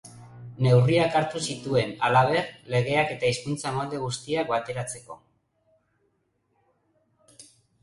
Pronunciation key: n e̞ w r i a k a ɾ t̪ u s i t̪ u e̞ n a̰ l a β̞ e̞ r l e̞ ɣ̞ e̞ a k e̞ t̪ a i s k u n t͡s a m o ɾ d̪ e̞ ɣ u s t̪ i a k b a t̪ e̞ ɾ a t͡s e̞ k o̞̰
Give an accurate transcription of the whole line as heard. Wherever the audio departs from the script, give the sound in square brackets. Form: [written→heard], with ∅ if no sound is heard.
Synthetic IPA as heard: n e̞ w r i a k a ɾ t̪ u s i t̪ u e̞ n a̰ l a β̞ e̞ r l e̞ ɣ̞ e̞ a k e̞ t̪ a i s k u n t͡s a m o [ɾ→l] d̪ e̞ ɣ u s t̪ i a k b a t̪ e̞ ɾ a t͡s e̞ k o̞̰